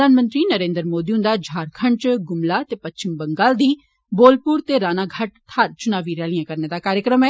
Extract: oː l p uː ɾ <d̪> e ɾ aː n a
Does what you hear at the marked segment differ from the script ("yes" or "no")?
yes